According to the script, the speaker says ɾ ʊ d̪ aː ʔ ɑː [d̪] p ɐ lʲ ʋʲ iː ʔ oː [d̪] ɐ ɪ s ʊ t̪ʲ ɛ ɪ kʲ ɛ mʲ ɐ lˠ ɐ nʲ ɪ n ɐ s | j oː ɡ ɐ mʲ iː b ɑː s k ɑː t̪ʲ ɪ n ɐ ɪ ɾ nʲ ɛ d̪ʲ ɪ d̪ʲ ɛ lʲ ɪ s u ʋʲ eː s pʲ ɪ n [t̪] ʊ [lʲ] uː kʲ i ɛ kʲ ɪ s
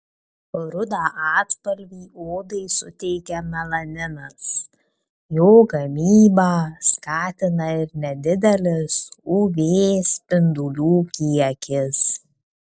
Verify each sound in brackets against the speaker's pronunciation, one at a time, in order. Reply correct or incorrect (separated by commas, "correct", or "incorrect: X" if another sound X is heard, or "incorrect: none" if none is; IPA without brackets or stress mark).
incorrect: t̪, correct, incorrect: d̪, correct